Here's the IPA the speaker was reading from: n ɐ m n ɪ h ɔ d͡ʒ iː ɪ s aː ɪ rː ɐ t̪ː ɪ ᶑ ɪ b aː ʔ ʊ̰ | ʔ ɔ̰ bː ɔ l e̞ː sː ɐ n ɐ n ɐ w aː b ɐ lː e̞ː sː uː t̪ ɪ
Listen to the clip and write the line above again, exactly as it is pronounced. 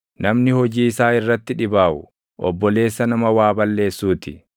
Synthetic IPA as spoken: n ɐ m n ɪ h ɔ d͡ʒ iː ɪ s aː ɪ rː ɐ t̪ː ɪ ᶑ ɪ b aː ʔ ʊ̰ | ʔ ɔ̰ bː ɔ l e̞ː sː ɐ n ɐ m ɐ w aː b ɐ lː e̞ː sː uː t̪ ɪ